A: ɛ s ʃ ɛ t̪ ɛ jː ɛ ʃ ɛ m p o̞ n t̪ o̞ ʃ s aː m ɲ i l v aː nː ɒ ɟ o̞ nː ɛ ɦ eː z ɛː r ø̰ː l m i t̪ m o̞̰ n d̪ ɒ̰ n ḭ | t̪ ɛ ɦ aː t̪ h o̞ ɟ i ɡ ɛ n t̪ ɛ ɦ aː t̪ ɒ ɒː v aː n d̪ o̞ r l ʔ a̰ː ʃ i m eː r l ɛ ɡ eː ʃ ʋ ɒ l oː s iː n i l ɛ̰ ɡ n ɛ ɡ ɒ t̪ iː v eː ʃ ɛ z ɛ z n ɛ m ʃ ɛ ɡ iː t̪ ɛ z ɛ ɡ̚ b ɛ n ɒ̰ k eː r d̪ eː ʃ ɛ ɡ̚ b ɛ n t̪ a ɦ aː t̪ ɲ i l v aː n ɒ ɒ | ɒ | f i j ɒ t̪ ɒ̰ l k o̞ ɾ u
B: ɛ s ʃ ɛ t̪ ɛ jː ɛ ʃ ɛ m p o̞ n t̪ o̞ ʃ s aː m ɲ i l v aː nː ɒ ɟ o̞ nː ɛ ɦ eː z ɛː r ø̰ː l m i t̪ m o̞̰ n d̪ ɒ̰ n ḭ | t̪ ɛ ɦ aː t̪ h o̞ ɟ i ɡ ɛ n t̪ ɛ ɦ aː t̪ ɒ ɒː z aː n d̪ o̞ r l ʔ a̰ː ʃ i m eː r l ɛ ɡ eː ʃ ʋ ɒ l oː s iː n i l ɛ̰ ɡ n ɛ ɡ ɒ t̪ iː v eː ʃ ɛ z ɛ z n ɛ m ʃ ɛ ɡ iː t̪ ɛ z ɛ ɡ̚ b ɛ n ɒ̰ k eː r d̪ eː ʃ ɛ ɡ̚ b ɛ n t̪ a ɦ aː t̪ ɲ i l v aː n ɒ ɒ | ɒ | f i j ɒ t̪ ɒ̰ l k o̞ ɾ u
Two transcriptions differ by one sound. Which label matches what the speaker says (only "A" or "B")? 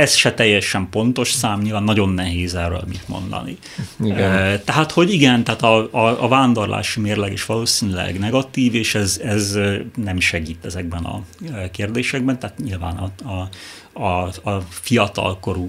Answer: A